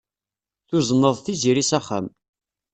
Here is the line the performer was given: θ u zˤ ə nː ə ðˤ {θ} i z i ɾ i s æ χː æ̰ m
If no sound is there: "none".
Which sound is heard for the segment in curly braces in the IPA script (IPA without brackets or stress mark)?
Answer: θ